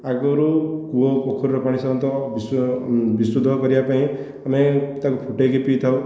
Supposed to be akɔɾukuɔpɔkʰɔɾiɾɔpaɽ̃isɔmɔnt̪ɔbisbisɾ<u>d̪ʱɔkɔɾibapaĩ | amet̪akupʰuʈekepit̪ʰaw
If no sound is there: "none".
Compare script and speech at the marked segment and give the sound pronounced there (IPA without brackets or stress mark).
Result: u